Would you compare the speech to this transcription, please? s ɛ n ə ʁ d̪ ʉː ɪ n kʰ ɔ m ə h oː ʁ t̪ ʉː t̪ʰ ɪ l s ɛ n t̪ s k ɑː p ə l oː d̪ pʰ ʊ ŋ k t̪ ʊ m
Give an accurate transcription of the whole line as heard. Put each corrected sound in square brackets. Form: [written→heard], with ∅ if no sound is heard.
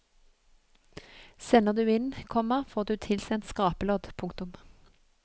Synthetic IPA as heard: s ɛ n ə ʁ d̪ ʉː ɪ n kʰ ɔ m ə [h→f] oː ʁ [t̪→d̪] ʉː t̪ʰ ɪ l s ɛ n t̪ s k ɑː p ə l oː d̪ pʰ ʊ ŋ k t̪ ʊ m